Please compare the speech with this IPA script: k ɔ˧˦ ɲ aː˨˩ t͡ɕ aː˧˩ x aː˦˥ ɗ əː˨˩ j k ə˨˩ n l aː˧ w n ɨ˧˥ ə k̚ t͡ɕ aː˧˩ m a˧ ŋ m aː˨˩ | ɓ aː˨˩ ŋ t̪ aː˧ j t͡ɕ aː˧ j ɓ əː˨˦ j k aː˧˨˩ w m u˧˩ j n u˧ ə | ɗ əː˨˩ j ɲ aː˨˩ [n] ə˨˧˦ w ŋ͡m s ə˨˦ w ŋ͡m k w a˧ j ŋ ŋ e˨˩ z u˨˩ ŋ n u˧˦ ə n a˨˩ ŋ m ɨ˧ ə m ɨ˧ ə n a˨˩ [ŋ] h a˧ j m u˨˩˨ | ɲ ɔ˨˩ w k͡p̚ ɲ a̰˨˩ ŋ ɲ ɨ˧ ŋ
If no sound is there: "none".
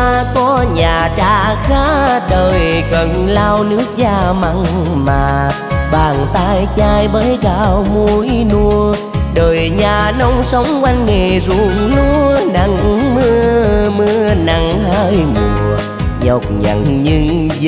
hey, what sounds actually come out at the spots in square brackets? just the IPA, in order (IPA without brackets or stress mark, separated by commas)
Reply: n, ŋ